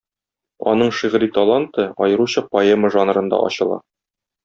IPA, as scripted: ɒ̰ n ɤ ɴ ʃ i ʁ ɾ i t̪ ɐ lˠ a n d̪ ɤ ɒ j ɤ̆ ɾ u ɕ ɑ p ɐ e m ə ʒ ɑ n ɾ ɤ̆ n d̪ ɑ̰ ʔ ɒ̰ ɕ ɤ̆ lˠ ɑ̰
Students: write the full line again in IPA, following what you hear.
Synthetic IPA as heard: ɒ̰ n ɤ ɴ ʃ i ʁ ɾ i t̪ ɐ lˠ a n t̪ ɤ ɒ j ɤ̆ ɾ u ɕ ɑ p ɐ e m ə ʒ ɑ n ɾ ɤ̆ n d̪ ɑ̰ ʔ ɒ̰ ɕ ɤ̆ lˠ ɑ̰